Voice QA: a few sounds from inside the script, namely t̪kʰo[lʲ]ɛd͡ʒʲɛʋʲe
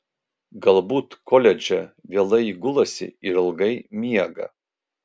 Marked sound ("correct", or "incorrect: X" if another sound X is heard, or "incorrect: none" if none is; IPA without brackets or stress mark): correct